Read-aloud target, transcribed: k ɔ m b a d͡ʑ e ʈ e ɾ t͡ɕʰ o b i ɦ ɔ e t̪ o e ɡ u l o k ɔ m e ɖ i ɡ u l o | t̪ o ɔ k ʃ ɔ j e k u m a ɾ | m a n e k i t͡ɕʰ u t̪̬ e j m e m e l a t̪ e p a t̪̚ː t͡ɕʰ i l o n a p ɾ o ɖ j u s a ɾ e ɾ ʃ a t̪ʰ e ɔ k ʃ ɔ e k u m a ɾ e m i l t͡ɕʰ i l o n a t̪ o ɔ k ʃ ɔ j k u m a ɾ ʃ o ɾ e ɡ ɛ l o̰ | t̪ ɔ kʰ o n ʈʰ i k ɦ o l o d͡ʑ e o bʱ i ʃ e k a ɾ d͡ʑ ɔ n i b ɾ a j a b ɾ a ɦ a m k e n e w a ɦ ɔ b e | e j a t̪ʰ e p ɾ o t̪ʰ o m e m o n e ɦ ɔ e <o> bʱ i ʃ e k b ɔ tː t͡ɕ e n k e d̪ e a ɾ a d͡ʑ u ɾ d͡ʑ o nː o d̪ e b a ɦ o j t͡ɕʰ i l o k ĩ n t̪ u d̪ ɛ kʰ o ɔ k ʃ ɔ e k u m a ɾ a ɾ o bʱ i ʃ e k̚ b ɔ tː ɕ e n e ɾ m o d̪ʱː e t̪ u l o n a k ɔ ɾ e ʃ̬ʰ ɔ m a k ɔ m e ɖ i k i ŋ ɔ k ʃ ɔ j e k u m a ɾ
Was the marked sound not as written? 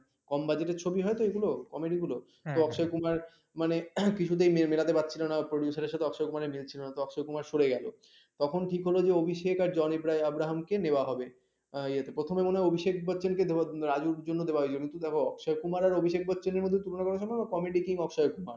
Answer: no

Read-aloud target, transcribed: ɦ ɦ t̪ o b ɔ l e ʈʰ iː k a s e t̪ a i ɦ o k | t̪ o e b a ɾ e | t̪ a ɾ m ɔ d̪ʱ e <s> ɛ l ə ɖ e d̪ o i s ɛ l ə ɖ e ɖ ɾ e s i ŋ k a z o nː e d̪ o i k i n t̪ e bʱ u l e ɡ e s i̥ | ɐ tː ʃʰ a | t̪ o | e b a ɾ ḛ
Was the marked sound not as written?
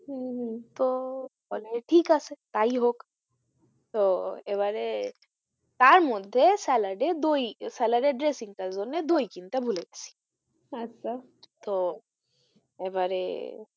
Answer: no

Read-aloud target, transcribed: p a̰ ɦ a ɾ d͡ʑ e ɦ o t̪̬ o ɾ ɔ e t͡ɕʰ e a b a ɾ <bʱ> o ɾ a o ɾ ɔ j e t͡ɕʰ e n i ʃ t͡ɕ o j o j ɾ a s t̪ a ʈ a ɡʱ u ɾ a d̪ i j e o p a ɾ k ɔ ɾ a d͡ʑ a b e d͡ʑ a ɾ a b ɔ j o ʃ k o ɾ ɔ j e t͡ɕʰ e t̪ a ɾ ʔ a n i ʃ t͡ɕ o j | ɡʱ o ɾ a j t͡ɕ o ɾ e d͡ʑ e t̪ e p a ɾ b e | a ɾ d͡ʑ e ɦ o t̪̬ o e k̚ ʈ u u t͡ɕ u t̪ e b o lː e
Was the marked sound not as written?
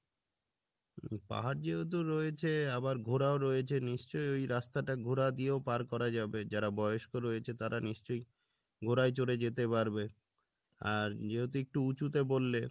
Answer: yes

